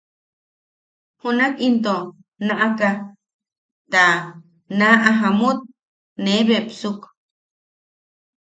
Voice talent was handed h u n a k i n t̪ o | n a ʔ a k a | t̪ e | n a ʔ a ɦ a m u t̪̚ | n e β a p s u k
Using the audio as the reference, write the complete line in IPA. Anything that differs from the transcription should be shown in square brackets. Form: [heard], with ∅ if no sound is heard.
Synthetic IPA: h u n a k i n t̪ o | n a ʔ a k a | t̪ [a] | n a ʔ a ɦ a m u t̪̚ | n e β [e] p s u k